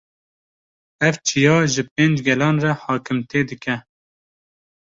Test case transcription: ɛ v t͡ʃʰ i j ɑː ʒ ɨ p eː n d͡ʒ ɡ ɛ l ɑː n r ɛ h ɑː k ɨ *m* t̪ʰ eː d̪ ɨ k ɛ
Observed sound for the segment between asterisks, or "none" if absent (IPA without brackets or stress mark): m